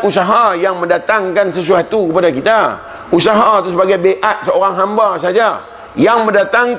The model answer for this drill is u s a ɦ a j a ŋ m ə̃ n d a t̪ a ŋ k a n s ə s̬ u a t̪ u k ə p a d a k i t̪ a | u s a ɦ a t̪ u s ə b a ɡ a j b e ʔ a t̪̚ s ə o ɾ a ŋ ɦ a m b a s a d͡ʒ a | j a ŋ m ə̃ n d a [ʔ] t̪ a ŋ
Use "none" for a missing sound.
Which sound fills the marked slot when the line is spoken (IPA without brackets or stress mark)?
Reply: none